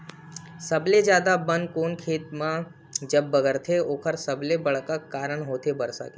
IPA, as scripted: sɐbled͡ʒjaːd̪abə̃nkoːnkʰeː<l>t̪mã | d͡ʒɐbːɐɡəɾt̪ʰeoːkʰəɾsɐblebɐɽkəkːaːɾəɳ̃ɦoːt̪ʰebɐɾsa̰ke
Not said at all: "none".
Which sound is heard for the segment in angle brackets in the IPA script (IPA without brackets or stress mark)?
none